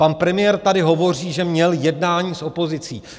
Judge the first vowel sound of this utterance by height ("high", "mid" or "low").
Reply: low